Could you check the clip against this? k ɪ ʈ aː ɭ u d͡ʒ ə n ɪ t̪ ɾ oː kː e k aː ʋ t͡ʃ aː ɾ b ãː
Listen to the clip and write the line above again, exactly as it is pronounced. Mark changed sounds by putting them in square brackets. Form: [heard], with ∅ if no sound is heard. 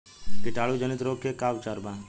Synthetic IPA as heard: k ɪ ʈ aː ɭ u d͡ʒ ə n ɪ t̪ ɾ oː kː e k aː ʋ t͡ʃ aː ɾ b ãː